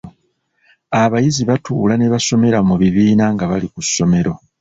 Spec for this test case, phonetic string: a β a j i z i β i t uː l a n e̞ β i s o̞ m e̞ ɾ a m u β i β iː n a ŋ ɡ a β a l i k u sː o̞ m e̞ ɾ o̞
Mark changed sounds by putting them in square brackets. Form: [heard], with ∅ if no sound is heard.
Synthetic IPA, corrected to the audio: a β a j i z i β [a] t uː l a n e̞ β [a] s o̞ m e̞ ɾ a m u β i β iː n a ŋ ɡ a β a l i k u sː o̞ m e̞ ɾ o̞